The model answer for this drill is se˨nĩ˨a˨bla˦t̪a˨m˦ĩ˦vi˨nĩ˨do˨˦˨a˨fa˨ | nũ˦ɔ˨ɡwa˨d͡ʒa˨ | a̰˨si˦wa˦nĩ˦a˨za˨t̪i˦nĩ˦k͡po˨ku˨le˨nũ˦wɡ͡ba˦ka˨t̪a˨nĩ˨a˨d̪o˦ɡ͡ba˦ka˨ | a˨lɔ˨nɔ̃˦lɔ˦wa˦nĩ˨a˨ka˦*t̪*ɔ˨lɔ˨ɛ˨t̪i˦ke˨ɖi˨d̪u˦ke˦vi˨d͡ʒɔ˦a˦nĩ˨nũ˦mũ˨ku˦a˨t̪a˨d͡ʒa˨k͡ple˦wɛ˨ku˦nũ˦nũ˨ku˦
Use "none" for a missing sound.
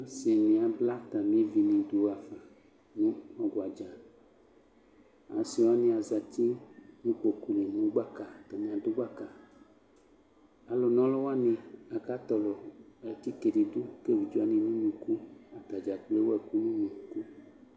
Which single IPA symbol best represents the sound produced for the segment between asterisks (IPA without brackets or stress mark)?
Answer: t̪